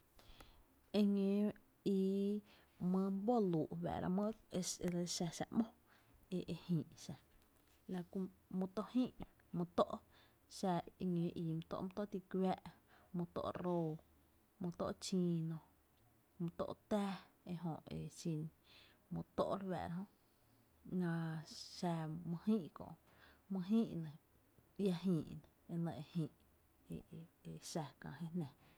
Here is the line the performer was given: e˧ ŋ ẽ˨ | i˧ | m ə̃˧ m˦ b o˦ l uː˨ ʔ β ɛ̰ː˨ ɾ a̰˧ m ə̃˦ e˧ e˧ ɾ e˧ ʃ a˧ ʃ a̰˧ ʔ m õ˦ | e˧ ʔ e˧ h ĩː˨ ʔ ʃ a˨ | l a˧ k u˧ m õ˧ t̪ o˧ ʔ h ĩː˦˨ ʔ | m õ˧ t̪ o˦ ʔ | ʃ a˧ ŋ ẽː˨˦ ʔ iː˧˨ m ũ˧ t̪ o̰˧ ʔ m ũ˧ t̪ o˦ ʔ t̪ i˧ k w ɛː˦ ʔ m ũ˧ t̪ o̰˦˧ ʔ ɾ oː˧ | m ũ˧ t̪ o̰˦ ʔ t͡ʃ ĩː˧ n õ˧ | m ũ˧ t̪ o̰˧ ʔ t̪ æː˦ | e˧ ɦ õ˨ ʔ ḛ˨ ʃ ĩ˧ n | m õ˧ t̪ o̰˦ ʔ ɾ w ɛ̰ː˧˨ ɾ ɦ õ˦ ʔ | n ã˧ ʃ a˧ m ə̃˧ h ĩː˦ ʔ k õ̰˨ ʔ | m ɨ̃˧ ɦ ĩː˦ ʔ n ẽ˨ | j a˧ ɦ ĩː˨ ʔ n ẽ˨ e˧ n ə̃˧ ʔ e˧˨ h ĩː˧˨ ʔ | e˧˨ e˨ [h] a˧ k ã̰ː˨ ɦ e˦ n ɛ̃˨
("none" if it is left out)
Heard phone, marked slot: ʃ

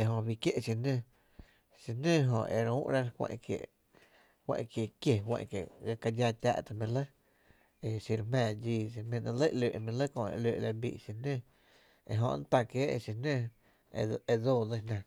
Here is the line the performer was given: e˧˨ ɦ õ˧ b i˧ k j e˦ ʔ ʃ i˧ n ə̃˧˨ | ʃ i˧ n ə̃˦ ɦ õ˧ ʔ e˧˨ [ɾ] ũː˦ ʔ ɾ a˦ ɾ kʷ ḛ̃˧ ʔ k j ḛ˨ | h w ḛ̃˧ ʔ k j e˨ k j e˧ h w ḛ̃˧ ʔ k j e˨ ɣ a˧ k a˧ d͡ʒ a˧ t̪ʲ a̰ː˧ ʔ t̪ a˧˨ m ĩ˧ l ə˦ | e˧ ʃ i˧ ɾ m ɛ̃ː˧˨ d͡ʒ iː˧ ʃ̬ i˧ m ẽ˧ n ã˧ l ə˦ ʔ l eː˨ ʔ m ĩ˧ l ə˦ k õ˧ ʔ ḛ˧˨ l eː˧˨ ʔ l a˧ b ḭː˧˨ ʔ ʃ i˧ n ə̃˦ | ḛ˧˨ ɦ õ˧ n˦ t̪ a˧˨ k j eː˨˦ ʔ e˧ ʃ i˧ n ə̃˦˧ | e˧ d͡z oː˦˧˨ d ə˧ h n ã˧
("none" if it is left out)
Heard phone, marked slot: ɾ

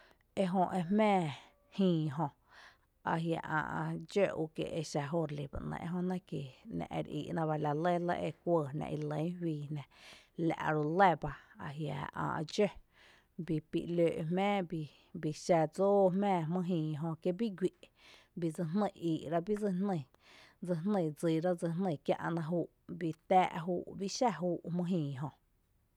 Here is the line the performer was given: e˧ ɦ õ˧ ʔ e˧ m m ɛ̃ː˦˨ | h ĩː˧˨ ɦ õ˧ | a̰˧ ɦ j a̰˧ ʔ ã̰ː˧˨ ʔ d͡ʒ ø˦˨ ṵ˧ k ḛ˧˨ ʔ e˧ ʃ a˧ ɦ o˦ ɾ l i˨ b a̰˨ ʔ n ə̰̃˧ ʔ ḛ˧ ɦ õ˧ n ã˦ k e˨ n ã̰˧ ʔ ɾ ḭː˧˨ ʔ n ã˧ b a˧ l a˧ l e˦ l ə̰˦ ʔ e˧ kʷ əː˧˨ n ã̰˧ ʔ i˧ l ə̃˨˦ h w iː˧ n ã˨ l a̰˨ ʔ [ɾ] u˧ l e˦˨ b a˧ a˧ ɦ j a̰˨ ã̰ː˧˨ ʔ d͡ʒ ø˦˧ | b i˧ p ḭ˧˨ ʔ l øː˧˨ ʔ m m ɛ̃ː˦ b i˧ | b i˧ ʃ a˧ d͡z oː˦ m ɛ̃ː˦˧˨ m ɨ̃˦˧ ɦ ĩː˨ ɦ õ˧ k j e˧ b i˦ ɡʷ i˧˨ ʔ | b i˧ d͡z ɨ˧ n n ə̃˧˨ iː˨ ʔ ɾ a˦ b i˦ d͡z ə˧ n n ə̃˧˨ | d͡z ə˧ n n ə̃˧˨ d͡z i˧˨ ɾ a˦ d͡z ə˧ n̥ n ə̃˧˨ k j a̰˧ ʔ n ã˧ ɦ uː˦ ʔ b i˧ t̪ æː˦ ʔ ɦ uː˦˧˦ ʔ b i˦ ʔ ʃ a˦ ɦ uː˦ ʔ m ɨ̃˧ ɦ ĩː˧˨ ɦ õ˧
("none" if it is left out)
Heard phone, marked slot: ɾ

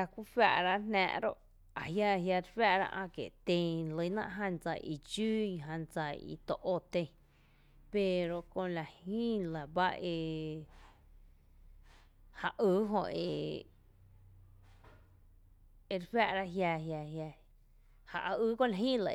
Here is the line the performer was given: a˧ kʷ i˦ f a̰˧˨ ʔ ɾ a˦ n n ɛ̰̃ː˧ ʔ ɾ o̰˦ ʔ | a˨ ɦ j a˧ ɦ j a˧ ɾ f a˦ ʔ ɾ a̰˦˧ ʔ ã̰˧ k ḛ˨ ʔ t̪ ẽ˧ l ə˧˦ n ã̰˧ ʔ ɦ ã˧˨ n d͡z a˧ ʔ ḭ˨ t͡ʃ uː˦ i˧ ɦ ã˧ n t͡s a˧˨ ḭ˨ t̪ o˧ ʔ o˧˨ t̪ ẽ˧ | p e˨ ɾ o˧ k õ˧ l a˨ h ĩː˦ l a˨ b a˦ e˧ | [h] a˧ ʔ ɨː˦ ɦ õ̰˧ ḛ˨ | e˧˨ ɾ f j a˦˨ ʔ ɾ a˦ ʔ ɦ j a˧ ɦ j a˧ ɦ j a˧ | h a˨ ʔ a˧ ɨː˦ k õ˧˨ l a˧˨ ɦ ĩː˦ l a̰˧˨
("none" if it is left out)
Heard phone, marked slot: h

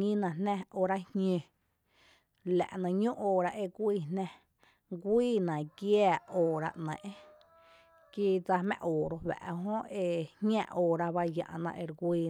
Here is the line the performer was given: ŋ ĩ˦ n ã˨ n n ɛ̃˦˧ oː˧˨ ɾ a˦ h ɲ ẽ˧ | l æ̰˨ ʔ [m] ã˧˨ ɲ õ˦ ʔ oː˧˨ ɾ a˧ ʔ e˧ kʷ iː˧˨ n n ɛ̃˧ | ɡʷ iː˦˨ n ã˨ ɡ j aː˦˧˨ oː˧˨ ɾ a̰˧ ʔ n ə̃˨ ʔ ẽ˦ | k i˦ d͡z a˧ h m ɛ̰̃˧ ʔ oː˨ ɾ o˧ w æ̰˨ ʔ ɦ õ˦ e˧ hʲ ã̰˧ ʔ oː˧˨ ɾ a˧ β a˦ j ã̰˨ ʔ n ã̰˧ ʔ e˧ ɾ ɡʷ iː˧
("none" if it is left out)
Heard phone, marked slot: n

